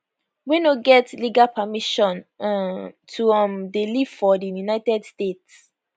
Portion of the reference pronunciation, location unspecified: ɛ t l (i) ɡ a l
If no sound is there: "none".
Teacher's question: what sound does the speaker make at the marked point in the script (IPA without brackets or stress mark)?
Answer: i